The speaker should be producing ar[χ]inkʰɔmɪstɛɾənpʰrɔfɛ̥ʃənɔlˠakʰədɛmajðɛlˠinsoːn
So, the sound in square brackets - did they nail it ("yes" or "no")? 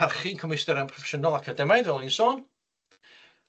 yes